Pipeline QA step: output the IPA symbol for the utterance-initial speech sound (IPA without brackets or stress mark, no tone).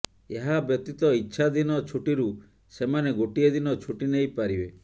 e